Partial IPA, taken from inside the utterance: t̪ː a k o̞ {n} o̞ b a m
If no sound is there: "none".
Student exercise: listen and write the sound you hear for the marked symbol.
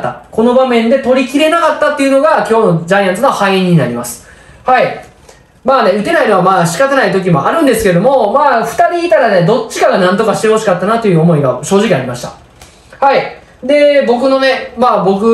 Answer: n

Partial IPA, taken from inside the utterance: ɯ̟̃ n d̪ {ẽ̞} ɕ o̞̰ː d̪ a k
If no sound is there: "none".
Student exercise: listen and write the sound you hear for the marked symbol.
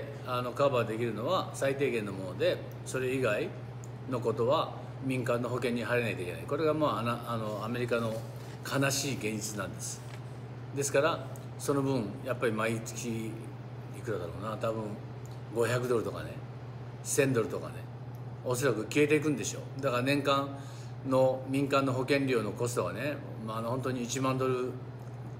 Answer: e̞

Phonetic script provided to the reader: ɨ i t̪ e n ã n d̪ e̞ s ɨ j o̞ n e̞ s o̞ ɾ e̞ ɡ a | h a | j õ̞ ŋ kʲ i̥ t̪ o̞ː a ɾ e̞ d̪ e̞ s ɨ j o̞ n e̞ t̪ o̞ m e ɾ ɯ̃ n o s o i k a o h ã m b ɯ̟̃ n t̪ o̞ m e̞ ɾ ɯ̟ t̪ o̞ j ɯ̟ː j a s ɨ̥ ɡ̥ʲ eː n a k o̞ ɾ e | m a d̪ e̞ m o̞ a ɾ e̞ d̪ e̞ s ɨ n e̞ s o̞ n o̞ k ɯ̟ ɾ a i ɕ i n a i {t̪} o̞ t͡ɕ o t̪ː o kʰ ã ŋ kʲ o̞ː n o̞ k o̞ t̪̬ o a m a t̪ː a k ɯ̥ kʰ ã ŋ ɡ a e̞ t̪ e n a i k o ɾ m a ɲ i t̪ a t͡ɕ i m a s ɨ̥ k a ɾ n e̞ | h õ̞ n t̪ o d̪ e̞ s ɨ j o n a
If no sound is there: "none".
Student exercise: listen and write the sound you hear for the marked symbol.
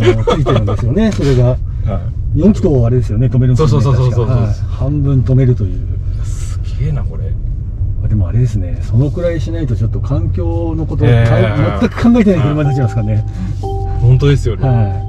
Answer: t̪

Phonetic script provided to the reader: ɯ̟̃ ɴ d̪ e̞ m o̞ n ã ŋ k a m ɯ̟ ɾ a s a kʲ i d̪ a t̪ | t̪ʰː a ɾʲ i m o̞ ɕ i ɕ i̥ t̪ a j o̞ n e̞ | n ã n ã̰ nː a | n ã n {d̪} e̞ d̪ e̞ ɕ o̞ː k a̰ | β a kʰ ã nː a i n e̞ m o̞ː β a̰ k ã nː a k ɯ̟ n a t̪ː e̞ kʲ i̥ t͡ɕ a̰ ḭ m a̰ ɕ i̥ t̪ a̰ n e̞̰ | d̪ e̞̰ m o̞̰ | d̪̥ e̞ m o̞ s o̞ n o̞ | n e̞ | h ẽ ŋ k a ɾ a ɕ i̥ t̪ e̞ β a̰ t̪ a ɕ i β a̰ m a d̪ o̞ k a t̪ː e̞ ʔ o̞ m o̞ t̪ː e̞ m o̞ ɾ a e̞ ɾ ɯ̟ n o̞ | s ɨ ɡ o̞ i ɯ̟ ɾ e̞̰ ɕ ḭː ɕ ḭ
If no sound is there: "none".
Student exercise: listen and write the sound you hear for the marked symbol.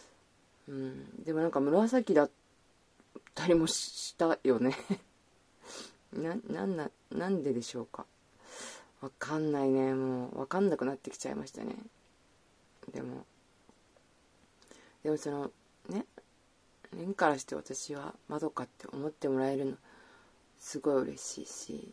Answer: d̪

